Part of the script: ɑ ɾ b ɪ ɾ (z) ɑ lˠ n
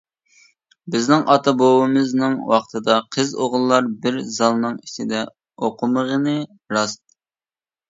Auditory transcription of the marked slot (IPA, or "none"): z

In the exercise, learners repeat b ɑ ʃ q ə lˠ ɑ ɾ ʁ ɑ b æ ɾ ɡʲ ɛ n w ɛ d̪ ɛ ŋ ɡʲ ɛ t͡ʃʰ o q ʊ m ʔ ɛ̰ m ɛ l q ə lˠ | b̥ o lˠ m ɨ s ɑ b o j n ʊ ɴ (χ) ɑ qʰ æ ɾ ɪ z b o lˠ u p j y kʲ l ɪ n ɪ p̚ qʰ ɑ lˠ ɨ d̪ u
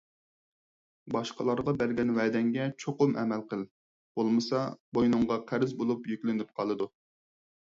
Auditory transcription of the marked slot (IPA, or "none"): ʁ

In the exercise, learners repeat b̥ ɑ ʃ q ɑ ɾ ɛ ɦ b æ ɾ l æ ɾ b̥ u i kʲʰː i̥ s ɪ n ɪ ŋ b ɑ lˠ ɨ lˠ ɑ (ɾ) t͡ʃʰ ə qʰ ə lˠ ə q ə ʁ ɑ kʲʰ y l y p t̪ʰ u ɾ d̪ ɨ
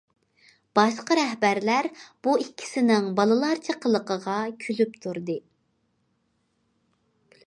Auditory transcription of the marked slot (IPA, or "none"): ɾ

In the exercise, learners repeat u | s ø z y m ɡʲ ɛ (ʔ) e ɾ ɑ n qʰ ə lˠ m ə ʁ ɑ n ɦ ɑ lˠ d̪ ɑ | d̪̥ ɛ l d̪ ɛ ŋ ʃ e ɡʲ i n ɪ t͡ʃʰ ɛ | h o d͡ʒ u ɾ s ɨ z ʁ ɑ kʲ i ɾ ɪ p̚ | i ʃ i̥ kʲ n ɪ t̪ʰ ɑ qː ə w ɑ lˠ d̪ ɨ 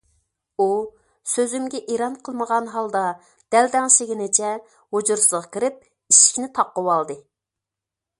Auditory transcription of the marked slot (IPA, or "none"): ʔ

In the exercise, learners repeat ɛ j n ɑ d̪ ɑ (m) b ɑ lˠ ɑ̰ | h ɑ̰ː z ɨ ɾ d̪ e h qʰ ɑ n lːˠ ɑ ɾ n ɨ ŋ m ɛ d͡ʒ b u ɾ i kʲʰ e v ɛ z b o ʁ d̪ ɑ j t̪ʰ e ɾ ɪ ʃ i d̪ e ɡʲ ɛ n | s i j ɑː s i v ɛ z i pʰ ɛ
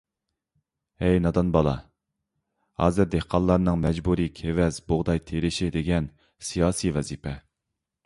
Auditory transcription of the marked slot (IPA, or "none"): n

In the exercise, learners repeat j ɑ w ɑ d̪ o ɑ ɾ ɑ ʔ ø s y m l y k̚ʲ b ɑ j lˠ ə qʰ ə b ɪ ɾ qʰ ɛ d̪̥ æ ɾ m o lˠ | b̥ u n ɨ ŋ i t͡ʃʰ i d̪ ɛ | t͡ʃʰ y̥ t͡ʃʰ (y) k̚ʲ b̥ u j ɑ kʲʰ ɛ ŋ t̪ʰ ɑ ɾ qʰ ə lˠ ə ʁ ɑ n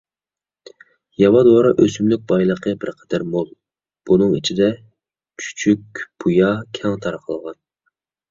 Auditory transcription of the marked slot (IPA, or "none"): y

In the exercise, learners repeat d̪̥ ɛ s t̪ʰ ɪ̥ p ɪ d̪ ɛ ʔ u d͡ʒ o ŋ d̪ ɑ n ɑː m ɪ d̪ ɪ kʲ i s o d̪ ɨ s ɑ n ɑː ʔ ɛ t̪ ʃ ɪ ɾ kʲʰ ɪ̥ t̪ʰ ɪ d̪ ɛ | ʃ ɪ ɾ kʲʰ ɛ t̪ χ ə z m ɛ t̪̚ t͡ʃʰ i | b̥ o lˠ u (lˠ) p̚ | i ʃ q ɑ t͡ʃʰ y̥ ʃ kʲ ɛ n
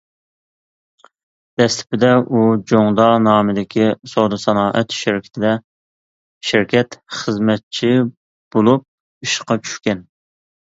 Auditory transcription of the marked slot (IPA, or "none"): none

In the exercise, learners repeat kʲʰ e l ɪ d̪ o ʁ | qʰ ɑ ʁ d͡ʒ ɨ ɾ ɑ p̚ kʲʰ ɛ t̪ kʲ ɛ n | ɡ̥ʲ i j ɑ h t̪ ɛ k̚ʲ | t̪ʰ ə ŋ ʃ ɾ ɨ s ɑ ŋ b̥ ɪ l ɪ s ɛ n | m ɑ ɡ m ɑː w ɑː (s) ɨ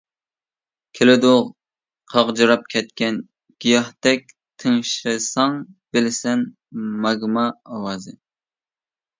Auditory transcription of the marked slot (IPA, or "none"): z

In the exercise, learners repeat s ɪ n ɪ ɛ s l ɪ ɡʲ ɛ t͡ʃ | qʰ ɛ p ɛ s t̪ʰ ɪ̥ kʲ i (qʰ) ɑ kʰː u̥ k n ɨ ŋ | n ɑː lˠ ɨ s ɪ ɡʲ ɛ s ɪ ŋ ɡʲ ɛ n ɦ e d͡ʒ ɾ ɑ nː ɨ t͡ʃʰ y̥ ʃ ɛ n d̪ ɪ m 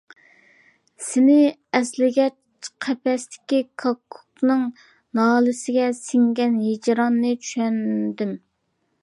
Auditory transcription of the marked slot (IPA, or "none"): kʰ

